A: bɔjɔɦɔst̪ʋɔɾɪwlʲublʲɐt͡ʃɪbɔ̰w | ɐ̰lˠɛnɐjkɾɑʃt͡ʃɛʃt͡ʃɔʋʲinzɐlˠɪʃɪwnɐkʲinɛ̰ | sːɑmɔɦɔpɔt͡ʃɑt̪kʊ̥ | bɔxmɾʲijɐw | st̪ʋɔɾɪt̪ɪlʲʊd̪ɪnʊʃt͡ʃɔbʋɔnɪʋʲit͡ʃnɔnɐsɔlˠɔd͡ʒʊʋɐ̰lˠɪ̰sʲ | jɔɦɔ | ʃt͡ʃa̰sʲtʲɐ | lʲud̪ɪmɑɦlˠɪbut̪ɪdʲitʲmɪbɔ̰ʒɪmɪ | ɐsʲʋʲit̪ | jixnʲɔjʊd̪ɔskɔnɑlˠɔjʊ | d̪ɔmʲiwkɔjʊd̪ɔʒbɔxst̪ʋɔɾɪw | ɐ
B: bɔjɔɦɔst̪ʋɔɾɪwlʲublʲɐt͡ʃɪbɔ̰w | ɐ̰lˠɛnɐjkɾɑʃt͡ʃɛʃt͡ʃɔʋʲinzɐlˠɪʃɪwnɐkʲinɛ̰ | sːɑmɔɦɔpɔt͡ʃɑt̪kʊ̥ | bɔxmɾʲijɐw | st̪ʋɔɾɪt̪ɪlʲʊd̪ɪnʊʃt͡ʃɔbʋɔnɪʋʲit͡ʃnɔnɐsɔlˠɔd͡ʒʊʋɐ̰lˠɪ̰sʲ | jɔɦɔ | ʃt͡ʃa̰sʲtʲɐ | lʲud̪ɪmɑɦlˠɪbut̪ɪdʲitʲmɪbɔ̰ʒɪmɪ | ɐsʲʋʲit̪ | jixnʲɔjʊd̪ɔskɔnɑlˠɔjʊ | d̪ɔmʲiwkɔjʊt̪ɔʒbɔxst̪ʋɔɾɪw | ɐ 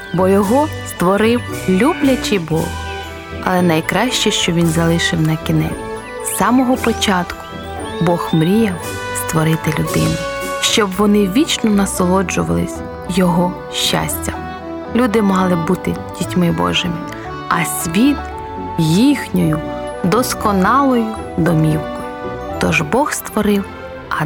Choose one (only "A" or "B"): B